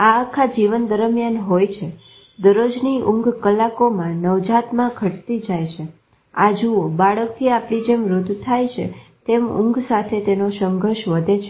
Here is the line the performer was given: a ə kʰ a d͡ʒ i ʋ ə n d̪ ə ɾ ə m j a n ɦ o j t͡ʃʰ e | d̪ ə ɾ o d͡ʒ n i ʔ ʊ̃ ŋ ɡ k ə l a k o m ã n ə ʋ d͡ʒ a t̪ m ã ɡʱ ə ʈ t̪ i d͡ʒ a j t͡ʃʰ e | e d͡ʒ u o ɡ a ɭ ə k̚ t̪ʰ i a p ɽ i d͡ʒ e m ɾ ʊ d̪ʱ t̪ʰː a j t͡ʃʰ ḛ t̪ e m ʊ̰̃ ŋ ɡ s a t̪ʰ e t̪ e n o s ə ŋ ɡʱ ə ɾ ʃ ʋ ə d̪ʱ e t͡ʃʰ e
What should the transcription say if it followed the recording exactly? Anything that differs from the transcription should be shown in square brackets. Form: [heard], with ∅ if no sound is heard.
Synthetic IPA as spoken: a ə kʰ a d͡ʒ i ʋ ə n d̪ ə ɾ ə m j a n ɦ o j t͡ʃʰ e | d̪ ə ɾ o d͡ʒ n i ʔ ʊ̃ ŋ ɡ k ə l a k o m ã n ə ʋ d͡ʒ a t̪ m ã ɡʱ ə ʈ t̪ i d͡ʒ a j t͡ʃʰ e | [a] d͡ʒ u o [b] a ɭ ə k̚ t̪ʰ i a p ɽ i d͡ʒ e m ɾ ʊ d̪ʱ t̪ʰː a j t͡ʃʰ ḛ t̪ e m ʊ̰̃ ŋ ɡ s a t̪ʰ e t̪ e n o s ə ŋ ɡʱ ə ɾ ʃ ʋ ə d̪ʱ e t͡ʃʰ e